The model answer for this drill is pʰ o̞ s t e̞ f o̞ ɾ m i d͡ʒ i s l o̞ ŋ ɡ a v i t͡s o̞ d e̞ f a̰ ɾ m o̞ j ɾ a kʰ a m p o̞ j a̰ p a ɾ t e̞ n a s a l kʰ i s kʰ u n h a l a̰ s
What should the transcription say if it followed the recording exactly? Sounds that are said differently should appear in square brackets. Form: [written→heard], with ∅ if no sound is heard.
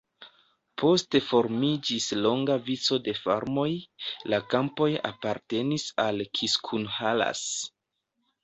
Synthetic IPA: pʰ o̞ s t e̞ f o̞ ɾ m i d͡ʒ i s l o̞ ŋ ɡ a v i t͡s o̞ d e̞ f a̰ ɾ m o̞ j [ɾ→l] a [kʰ→k] a m p o̞ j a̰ p a ɾ t e̞ n [a→i] s a l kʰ i s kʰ u n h a l a̰ s